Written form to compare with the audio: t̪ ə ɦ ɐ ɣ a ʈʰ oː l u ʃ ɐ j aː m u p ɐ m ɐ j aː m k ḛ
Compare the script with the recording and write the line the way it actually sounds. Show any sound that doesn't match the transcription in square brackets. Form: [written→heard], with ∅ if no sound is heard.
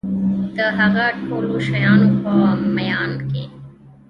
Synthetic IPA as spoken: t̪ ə ɦ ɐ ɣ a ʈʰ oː l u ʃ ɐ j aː [m→n] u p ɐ m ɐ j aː [m→n] k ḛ